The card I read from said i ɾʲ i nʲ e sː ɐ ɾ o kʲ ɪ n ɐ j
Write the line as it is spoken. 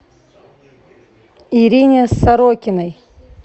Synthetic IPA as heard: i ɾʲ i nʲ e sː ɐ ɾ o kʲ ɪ n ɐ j